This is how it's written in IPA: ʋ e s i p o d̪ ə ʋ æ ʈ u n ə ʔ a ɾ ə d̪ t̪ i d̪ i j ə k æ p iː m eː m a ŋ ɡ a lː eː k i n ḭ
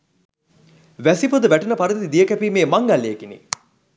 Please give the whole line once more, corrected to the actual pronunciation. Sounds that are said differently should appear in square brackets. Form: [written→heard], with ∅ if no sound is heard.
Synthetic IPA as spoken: ʋ [e→æ] s i p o d̪ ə ʋ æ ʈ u n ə [ʔ→p] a ɾ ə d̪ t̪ i d̪ i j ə k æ p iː m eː m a ŋ ɡ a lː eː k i n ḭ

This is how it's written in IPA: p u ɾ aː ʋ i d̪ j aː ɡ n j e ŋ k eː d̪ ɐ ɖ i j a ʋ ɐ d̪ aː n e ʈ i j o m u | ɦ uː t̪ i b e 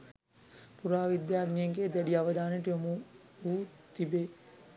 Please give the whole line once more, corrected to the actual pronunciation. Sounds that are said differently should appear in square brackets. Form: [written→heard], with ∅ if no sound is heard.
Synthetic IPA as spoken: p u ɾ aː ʋ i d̪ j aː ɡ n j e ŋ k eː d̪ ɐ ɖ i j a ʋ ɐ d̪ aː n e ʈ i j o m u | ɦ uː t̪ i b e

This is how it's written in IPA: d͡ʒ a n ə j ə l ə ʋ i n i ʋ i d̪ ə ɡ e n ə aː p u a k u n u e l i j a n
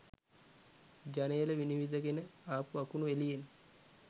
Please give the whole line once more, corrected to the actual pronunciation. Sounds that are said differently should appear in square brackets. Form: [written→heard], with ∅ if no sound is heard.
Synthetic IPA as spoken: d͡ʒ a n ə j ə l ə ʋ i n i ʋ i d̪ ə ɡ e n ə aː p u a k u n u e l i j [a→e] n

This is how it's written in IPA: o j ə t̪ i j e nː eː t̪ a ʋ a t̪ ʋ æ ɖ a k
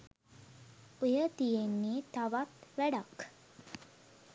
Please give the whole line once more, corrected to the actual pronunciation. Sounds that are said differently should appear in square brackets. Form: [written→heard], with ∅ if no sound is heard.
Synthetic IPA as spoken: o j ə t̪ i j e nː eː t̪ a ʋ a t̪ ʋ æ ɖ a k

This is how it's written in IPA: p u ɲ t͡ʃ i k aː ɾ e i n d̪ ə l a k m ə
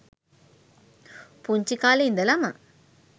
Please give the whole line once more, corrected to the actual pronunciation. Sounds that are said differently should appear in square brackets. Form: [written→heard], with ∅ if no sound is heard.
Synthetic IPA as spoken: p u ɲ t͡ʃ i k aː [ɾ→l] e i n d̪ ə l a [k→∅] m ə

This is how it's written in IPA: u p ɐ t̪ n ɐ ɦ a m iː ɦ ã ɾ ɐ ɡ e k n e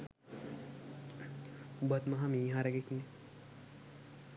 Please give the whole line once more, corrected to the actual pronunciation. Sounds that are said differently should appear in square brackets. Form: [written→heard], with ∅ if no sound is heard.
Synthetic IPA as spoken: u [p→b] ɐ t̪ [n→m] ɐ ɦ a m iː ɦ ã ɾ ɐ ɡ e k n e

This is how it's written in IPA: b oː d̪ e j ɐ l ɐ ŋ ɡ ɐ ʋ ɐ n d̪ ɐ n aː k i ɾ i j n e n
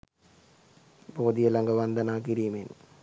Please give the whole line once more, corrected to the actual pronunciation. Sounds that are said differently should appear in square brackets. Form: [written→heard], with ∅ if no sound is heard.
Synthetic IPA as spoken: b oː d̪ [e→i] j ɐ l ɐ ŋ ɡ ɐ ʋ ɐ n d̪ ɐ n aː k i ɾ i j [n→m] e n

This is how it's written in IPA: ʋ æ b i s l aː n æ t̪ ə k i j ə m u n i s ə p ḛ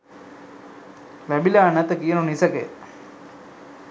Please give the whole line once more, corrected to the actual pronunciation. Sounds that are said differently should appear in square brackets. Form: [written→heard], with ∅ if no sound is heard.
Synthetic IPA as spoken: ʋ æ b i [s→∅] l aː n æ t̪ ə k i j ə [m→n] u n i s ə [p→k] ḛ

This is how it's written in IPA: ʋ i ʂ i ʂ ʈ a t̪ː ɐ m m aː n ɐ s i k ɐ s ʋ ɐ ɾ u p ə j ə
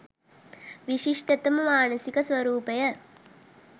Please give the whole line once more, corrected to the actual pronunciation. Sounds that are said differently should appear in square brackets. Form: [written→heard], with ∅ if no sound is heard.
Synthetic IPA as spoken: ʋ i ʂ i ʂ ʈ [a→ɐ] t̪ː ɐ m m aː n ɐ s i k ɐ s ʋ ɐ ɾ [u→uː] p [ə→ɐ] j [ə→ɐ]

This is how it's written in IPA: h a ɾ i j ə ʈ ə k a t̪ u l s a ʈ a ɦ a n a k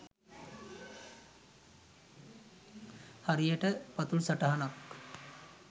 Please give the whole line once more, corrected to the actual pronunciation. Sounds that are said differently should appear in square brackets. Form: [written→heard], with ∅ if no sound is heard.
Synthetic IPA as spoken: h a ɾ i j ə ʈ ə [k→p] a t̪ u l s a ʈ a ɦ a n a k

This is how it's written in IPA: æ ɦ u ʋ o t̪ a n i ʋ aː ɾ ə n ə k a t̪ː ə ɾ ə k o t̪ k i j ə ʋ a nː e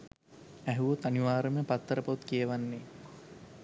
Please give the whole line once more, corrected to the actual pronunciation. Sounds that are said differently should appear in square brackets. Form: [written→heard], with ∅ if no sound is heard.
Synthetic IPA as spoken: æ ɦ u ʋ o t̪ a n i ʋ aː ɾ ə [n→m] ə [k→p] a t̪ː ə ɾ ə [k→p] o t̪ k i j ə ʋ a nː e

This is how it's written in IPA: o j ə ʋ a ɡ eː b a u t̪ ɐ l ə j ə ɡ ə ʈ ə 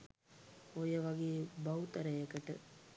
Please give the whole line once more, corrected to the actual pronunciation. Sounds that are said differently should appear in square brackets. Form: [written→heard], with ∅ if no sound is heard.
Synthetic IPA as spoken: o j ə ʋ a ɡ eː b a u t̪ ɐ [l→ɾ] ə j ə [ɡ→k] ə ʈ ə

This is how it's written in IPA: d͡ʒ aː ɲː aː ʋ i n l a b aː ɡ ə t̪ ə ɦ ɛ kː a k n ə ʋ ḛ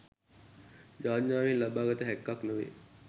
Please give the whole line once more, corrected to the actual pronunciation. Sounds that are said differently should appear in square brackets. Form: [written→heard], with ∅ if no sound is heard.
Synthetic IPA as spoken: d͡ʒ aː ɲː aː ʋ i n l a b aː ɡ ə t̪ ə ɦ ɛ kː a k n ə ʋ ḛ

